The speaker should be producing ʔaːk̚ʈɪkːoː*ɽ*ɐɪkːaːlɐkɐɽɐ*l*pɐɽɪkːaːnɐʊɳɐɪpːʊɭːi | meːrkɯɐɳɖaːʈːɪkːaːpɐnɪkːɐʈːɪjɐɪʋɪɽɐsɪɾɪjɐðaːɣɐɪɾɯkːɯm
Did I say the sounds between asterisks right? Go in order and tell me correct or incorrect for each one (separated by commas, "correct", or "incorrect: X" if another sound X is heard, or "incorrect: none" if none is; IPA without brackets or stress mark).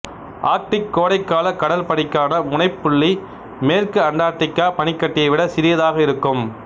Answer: correct, correct